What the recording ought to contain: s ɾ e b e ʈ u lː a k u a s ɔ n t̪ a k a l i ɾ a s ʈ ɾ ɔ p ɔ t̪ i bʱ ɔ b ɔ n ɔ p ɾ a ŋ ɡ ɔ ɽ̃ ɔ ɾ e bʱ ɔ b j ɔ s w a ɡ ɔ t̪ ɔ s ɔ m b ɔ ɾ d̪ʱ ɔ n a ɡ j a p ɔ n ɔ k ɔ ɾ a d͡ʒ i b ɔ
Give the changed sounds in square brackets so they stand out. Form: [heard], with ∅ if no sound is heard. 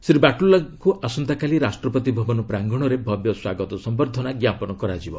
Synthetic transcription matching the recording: s ɾ [i] b [a] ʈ u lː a k u a s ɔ n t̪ a k a l i ɾ a s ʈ ɾ ɔ p ɔ t̪ i bʱ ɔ b ɔ n ɔ p ɾ a ŋ ɡ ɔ ɽ̃ ɔ ɾ e bʱ ɔ b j ɔ s w a ɡ ɔ t̪ ɔ s ɔ m b ɔ ɾ d̪ʱ ɔ n a ɡ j a p ɔ n ɔ k ɔ ɾ a d͡ʒ i b ɔ